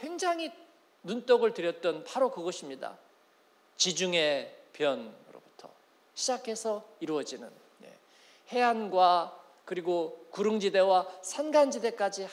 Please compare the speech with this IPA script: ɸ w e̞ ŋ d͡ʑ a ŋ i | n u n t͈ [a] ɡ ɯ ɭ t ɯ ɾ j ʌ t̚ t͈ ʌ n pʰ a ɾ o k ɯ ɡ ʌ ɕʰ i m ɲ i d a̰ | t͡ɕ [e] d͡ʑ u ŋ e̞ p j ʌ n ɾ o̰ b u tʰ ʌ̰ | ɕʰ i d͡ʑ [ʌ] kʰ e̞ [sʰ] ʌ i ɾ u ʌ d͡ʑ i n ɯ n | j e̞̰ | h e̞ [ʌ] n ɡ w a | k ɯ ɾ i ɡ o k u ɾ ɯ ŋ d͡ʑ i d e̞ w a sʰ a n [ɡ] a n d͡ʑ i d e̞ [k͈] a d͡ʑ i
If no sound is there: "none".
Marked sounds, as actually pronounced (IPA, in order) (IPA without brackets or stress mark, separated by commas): ʌ, i, a, sʰ, a, ɡ, k͈